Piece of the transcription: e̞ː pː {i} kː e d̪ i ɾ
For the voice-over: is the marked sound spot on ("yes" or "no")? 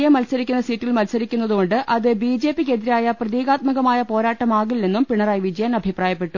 yes